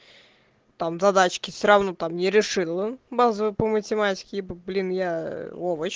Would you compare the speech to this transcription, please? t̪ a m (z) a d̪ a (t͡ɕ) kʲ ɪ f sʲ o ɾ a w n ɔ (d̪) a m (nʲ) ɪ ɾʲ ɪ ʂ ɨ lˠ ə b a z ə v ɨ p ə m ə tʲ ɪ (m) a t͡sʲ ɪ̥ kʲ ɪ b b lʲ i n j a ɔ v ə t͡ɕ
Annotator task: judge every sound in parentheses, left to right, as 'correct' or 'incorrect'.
correct, correct, incorrect: t̪, correct, correct

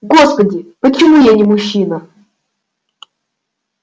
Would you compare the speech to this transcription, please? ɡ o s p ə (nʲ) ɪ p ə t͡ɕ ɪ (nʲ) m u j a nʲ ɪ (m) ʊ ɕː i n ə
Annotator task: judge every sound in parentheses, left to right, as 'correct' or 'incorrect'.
incorrect: dʲ, incorrect: none, correct

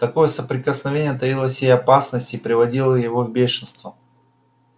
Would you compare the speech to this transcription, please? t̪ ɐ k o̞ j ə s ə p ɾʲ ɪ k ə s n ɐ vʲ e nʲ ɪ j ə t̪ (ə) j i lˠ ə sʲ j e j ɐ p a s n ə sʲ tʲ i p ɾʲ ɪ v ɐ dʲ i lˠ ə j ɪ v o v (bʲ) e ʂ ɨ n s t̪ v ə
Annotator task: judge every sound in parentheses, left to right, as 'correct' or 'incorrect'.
incorrect: ɐ, correct

